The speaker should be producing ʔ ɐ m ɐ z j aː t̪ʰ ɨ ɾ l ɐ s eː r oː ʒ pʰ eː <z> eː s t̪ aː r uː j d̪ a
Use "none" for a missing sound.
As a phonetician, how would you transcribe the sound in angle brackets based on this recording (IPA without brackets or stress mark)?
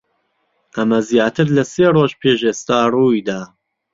ʒ